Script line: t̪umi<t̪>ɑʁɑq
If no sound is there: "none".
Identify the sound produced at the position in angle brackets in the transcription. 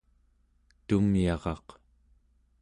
none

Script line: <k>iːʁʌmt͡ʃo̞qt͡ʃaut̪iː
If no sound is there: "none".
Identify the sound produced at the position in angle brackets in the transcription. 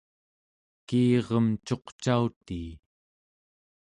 k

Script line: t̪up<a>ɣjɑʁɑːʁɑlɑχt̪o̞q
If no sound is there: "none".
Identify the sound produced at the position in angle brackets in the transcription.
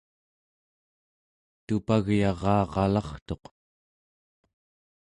a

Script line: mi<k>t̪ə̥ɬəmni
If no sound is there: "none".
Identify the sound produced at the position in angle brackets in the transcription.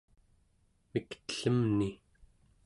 k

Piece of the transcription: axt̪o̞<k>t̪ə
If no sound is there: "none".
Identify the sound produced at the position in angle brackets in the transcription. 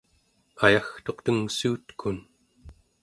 q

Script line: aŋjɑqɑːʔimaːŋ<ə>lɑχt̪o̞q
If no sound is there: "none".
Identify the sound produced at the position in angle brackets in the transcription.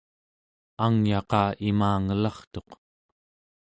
ə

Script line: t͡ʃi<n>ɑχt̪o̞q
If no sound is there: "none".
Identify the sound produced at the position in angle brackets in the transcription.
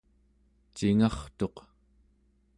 ŋ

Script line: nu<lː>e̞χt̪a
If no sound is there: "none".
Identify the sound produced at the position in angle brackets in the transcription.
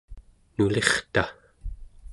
l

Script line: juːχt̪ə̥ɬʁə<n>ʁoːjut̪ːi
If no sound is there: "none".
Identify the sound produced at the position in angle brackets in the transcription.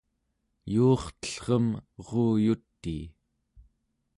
m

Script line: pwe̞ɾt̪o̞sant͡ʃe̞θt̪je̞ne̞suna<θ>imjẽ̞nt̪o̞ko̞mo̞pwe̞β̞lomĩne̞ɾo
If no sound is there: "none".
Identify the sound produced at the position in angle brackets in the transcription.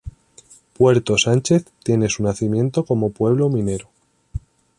θ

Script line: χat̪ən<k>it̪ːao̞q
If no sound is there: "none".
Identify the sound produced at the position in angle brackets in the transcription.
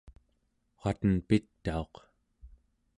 p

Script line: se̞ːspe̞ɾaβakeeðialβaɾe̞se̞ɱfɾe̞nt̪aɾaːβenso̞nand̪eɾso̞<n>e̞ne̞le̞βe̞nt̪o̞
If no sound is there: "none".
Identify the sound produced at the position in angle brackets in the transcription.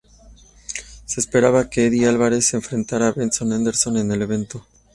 n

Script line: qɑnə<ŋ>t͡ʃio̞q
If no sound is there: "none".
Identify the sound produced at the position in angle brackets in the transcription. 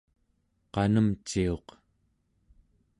m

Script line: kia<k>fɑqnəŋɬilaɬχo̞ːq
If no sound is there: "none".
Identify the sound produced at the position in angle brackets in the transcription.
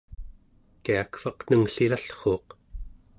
k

